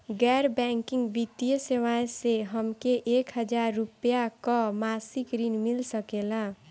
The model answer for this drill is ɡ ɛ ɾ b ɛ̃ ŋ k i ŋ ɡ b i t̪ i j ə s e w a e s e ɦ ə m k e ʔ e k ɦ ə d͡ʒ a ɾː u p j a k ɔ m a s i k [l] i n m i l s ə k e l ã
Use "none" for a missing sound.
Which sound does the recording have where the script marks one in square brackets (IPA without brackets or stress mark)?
ɾ